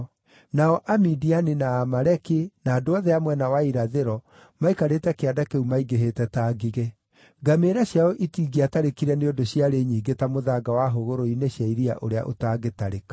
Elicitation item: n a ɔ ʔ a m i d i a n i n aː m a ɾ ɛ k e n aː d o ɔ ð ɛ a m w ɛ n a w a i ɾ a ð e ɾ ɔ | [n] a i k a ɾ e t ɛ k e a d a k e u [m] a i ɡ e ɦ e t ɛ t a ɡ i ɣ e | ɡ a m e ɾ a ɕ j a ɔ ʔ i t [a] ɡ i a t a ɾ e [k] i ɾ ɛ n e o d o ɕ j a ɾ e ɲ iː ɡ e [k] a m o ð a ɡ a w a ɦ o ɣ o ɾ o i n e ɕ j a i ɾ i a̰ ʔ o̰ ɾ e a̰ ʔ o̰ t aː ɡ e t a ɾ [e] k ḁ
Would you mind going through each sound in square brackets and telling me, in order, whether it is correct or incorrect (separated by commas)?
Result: incorrect, correct, incorrect, correct, incorrect, correct